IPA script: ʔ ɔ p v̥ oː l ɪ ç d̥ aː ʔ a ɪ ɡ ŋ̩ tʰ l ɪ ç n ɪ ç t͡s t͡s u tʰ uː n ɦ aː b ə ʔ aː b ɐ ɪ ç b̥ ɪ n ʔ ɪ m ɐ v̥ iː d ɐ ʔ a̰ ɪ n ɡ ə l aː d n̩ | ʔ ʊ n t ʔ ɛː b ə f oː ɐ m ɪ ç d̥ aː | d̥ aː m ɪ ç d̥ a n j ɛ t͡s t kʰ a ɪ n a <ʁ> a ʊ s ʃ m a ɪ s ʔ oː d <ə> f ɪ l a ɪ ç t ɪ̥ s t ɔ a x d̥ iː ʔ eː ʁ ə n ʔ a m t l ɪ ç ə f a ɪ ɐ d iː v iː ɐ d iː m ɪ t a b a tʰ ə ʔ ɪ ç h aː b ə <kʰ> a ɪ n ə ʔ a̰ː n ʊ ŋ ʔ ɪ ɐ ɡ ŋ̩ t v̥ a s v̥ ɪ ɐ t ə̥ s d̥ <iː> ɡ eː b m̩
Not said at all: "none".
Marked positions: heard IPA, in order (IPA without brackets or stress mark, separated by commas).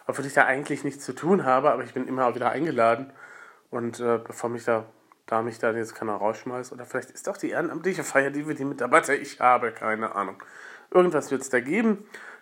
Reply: ʁ, ɐ, kʰ, aː